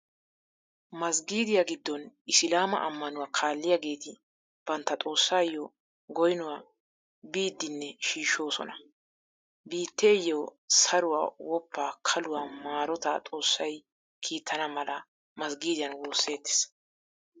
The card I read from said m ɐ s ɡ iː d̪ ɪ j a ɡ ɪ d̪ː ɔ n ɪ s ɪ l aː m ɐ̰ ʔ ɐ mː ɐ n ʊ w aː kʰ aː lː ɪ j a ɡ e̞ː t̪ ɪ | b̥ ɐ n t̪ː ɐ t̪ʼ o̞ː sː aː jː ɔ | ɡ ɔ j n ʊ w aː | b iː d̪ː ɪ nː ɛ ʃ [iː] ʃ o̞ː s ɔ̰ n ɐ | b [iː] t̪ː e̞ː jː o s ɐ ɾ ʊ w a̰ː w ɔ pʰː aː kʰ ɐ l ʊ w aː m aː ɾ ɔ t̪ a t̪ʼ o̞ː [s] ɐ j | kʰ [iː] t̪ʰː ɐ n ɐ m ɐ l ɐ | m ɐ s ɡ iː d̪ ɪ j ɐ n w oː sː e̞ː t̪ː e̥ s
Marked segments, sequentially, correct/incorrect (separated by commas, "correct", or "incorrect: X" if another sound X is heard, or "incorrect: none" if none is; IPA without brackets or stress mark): correct, correct, incorrect: sː, correct